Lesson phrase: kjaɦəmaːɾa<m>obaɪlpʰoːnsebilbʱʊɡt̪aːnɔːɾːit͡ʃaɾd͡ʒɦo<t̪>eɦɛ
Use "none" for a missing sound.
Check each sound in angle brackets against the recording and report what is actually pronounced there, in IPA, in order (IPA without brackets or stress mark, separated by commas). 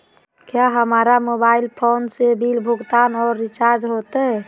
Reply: m, t̪